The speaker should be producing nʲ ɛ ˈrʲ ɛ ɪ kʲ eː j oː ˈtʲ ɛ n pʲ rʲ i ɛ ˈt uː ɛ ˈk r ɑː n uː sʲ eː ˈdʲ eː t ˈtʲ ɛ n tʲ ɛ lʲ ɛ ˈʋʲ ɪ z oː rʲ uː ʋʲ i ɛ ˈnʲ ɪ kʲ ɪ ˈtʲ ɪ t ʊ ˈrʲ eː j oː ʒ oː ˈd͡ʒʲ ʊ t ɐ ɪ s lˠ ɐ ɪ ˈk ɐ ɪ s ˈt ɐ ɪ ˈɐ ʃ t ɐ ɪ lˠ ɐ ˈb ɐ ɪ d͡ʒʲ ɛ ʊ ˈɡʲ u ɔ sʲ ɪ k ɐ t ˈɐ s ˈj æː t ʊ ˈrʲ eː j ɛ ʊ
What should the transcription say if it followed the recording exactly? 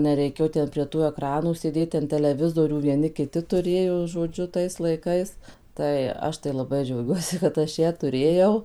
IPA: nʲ ɛ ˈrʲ ɛ ɪ kʲ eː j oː ˈtʲ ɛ n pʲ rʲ i ɛ ˈt uː ɛ ˈk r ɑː n uː sʲ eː ˈdʲ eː t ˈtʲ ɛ n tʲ ɛ lʲ ɛ ˈʋʲ ɪ z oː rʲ uː ʋʲ i ɛ ˈnʲ ɪ kʲ ɪ ˈtʲ ɪ t ʊ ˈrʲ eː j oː ʒ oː ˈd͡ʒʲ ʊ t ɐ ɪ s lˠ ɐ ɪ ˈk ɐ ɪ s ˈt ɐ ɪ ˈɐ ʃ t ɐ ɪ lˠ ɐ ˈb ɐ ɪ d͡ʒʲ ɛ ʊ ˈɡʲ u ɔ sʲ ɪ k ɐ t ˈɐ ʃ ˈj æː t ʊ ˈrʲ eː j ɛ ʊ